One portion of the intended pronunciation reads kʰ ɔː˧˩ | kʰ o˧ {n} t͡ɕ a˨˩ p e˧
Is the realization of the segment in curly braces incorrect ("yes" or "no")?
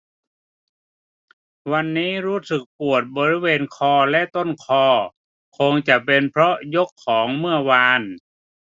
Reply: yes